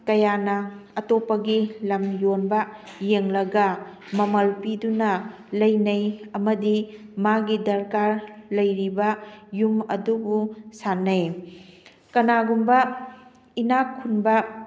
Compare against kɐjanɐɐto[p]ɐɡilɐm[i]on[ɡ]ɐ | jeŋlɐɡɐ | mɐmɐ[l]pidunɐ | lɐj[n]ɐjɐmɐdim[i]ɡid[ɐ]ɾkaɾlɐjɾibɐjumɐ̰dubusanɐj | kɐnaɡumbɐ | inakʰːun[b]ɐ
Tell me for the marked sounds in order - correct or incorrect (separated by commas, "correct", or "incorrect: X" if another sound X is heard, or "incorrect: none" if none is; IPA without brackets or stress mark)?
correct, incorrect: j, incorrect: b, correct, correct, incorrect: a, correct, correct